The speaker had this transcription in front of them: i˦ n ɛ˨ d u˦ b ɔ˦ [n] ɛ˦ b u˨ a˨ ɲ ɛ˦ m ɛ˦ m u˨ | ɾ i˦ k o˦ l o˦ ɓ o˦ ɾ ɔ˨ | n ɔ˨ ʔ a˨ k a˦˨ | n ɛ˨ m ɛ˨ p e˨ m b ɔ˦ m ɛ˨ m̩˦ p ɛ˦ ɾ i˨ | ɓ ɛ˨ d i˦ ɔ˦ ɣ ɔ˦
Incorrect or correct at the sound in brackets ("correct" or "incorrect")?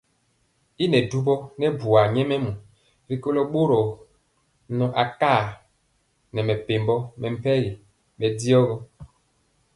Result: correct